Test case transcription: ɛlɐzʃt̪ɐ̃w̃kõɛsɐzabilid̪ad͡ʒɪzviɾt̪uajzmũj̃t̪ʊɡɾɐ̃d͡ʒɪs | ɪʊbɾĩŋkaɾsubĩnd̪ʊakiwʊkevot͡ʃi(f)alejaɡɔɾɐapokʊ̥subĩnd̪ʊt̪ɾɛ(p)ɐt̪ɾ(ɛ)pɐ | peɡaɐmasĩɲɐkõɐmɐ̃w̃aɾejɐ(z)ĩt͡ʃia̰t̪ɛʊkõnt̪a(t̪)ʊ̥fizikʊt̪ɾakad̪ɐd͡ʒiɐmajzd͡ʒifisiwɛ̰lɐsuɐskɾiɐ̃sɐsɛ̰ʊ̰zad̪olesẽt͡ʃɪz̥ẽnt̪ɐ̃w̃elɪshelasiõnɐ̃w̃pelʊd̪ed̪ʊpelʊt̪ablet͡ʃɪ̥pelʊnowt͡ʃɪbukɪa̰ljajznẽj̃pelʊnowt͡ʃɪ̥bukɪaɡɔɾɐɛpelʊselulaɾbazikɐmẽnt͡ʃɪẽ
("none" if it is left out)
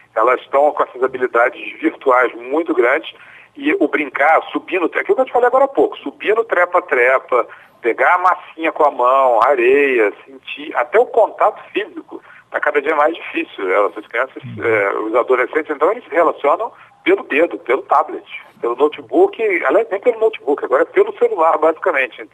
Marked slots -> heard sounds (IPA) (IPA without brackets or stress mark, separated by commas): f, p, ɛ, s, t̪